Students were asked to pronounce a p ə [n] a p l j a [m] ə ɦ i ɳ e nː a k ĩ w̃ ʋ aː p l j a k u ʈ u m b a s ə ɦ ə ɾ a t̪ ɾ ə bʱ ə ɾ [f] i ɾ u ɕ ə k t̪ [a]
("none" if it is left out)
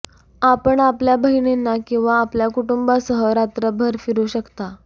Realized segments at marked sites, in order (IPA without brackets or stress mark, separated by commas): ɳ, b, f, a